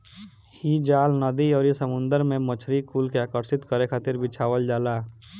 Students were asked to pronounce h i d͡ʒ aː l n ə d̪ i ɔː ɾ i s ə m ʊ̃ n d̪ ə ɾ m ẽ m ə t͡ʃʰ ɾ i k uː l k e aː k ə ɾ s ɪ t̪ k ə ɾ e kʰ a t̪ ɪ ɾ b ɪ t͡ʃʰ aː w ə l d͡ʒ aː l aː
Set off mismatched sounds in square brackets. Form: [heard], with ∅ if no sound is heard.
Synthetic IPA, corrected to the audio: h i d͡ʒ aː l n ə d̪ i ɔː ɾ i s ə m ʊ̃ n d̪ ə ɾ m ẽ m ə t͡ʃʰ ɾ i k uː l k e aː k ə ɾ s ɪ t̪ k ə ɾ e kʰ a t̪ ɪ ɾ b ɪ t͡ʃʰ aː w ə l d͡ʒ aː l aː